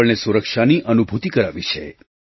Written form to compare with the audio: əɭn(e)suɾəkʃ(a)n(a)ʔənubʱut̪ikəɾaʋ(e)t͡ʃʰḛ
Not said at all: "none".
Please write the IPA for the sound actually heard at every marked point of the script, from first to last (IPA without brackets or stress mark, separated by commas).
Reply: e, a, i, i